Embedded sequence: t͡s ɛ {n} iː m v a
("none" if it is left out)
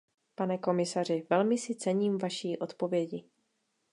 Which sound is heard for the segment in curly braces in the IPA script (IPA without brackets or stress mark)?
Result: ɲ